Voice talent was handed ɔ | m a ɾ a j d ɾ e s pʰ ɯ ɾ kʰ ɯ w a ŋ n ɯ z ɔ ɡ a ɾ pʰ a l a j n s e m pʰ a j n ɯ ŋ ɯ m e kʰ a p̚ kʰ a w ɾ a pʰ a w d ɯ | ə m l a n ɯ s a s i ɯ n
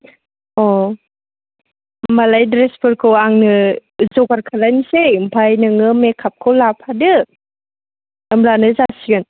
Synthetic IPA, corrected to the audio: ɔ | m a l a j d ɾ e s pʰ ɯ ɾ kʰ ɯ w a ŋ n ɯ z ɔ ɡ a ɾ kʰ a l a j n s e m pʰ a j n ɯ ŋ ɯ m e kʰ a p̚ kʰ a w l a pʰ a d ɯ | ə m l a n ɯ z a s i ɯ n